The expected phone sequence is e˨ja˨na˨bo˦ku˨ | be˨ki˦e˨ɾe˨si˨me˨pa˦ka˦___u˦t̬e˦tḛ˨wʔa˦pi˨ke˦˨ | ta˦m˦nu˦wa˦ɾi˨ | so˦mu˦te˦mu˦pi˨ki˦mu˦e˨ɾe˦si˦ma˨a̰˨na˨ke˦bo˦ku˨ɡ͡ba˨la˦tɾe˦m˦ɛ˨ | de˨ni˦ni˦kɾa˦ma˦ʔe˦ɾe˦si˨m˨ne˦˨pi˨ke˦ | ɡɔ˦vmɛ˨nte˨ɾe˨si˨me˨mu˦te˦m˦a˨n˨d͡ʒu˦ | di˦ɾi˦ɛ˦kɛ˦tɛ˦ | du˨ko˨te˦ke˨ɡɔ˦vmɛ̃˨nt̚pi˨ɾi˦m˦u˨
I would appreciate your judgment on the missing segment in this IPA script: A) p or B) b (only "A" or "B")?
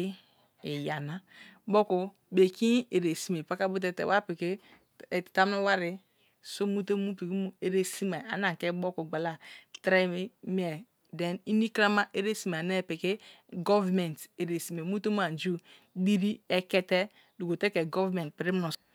B